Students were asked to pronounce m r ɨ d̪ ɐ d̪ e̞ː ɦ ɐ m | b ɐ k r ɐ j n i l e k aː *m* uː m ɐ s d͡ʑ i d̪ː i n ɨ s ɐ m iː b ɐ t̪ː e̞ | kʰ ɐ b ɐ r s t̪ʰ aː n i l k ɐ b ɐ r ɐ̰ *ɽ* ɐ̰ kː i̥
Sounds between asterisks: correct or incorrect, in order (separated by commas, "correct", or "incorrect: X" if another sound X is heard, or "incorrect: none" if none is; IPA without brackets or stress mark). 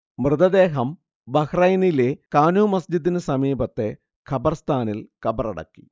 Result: incorrect: n, correct